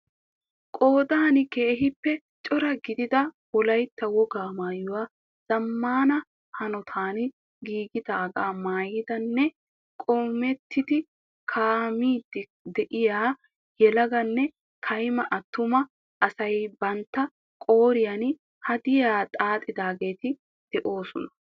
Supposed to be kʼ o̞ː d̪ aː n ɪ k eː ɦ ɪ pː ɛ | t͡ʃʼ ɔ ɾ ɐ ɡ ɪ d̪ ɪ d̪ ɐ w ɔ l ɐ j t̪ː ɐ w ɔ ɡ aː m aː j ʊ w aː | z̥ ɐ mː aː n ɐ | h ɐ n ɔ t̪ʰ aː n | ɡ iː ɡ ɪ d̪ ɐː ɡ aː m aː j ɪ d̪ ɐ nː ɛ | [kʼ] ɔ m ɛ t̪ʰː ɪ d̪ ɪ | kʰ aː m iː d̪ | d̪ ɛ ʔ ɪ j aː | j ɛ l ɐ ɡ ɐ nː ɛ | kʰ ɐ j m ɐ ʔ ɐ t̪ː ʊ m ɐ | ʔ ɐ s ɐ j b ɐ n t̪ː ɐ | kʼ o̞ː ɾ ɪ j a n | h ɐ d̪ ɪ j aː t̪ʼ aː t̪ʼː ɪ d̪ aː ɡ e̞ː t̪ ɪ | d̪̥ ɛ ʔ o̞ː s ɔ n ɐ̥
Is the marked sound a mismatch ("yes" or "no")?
no